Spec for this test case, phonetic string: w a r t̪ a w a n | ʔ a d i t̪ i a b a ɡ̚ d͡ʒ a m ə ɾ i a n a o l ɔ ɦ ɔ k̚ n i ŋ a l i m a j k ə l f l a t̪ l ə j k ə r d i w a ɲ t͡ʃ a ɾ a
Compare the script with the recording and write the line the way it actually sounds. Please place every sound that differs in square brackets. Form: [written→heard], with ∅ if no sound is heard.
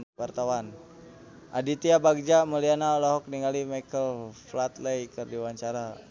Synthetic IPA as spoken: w a r t̪ a w a n | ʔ a d i t̪ i a b a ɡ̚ d͡ʒ a m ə [ɾ→l] i a n a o l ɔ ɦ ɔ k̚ n i ŋ a l i m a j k ə l f l a t̪ l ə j k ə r d i w a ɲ t͡ʃ a ɾ a

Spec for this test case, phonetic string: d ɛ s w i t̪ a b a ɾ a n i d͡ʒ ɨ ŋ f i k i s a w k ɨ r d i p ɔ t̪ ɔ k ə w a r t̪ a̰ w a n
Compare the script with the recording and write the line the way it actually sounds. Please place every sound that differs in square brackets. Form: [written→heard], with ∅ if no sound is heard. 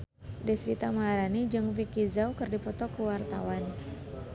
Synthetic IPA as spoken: d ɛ s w i t̪ a [b→m] a ɾ a n i d͡ʒ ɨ ŋ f i k i [s→z] a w k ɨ r d i p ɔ t̪ ɔ k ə w a r t̪ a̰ w a n

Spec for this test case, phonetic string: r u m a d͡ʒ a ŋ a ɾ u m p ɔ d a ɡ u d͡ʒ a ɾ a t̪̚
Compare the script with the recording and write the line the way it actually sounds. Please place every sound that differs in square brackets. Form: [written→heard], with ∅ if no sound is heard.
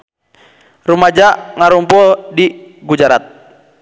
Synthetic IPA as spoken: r u m a d͡ʒ a ŋ a ɾ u m p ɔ d [a→i] ɡ u d͡ʒ a ɾ a t̪̚

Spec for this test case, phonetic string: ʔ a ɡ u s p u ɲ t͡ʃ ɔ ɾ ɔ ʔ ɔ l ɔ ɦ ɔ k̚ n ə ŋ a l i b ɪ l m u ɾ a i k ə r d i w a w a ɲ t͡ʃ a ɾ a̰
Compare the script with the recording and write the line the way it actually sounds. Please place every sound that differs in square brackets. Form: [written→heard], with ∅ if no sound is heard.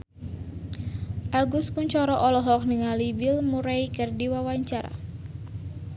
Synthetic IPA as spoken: ʔ a ɡ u s p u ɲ t͡ʃ ɔ ɾ ɔ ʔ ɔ l ɔ ɦ ɔ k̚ n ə ŋ a l i b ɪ l m u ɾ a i k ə r d i w a w a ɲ t͡ʃ a ɾ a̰

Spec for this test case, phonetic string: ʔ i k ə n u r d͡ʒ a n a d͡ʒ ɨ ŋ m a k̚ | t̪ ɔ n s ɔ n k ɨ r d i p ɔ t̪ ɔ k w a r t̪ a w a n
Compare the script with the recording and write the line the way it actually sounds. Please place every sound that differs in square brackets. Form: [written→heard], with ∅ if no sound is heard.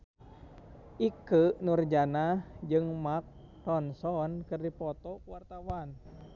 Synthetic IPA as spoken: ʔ i k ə n u r d͡ʒ a n a d͡ʒ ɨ ŋ m a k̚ | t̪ ɔ n s ɔ n k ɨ r d i p ɔ t̪ ɔ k w a r t̪ a w a n

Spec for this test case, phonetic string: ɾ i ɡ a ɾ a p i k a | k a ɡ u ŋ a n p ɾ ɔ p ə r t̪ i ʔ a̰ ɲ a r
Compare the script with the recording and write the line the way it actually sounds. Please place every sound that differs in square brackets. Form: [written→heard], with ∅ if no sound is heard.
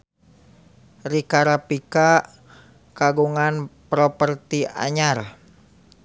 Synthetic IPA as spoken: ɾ i [ɡ→k] a ɾ a p i k a | k a ɡ u ŋ a n p ɾ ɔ p ə r t̪ i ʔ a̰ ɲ a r

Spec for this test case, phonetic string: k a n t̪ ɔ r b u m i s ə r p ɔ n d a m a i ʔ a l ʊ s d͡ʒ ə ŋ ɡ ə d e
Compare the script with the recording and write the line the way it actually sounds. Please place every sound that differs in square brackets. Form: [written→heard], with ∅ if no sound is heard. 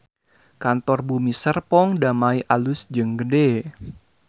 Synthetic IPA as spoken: k a n t̪ ɔ r b u m i s ə r p ɔ [n→ŋ] d a m a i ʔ a l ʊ s d͡ʒ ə ŋ ɡ ə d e

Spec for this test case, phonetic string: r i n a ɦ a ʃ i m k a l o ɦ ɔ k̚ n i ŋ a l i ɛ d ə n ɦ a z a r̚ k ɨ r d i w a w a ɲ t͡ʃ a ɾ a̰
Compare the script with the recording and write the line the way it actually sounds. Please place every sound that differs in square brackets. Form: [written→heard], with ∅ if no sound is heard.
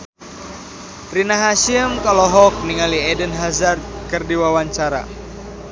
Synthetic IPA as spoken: r i n a ɦ a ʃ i m k a l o ɦ ɔ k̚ n i ŋ a l i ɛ d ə n ɦ a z a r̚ k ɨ r d i w a w a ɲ t͡ʃ a ɾ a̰

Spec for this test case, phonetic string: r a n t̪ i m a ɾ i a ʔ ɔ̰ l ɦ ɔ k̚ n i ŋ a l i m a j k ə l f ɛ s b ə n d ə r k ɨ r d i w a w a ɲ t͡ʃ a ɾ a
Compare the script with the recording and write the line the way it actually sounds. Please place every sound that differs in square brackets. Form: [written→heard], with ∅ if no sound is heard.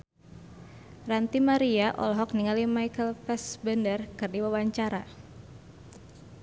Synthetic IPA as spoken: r a n t̪ i m a ɾ i a ʔ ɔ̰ l ɦ ɔ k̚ n i ŋ a l i m a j k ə l f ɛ s b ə n d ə r k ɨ r d i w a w a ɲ t͡ʃ a ɾ a

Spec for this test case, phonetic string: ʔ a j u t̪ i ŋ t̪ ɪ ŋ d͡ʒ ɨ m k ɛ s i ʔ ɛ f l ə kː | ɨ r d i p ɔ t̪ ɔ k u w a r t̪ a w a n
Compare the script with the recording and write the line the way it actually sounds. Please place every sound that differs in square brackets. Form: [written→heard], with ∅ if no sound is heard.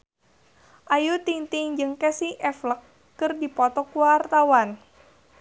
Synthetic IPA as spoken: ʔ a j u t̪ i ŋ t̪ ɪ ŋ d͡ʒ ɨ [m→ŋ] k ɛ s i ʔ ɛ f l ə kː | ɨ r d i p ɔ t̪ ɔ k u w a r t̪ a w a n

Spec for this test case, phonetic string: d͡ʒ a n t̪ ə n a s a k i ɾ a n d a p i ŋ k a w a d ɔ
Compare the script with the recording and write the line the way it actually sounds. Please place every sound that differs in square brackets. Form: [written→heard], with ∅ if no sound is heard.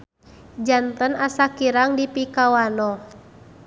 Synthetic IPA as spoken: d͡ʒ a n t̪ ə n a s a k i ɾ a [n→ŋ] d [a→i] p i [ŋ→∅] k a w a [d→n] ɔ

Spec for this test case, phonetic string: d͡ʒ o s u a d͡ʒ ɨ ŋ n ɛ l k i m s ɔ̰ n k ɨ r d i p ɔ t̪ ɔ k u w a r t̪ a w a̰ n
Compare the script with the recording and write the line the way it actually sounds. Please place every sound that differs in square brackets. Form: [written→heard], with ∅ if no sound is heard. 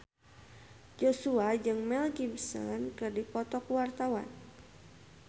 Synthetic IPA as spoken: d͡ʒ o s u a d͡ʒ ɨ ŋ [n→m] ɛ l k i m s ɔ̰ n k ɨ r d i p ɔ t̪ ɔ k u w a r t̪ a w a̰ n

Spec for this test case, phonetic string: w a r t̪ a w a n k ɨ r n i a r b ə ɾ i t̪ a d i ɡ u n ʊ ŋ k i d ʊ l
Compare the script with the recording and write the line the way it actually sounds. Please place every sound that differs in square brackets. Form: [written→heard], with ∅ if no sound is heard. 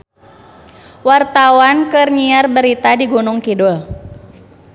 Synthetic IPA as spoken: w a r t̪ a w a n k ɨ r [n→ɲ] i a r b ə ɾ i t̪ a d i ɡ u n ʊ ŋ k i d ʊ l

